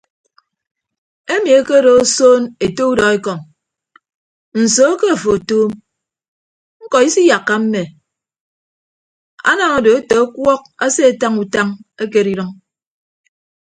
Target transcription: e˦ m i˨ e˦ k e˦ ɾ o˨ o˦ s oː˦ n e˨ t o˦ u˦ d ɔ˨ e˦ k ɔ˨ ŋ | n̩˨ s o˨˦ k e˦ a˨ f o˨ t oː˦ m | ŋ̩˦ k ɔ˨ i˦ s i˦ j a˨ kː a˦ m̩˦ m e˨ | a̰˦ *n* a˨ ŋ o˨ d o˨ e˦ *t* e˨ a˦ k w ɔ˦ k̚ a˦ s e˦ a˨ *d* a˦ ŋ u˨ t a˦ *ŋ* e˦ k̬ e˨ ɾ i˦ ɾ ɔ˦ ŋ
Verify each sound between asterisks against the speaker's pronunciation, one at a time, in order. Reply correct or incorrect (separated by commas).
correct, correct, incorrect, correct